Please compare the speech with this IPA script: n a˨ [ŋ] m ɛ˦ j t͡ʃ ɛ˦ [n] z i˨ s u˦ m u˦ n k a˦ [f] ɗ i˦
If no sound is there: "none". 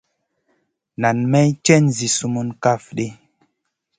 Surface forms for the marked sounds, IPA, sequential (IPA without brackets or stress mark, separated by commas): n, n, f